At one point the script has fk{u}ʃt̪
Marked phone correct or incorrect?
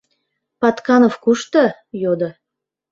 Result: correct